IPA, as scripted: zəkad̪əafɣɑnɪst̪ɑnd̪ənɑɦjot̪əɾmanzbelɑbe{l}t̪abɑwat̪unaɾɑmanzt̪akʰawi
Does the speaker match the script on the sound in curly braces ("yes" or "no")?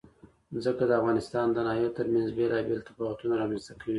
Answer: yes